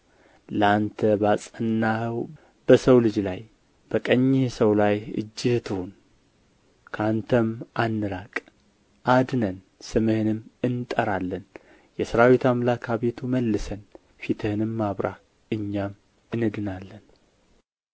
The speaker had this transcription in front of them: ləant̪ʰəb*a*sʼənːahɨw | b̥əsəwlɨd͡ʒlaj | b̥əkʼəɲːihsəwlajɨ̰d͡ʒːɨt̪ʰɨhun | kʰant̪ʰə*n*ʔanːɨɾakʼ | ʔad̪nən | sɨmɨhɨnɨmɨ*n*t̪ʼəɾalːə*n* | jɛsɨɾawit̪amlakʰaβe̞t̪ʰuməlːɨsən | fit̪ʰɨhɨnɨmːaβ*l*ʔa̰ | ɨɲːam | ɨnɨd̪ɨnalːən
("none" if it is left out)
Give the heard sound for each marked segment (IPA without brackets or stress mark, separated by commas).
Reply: a, m, n, n, ɾ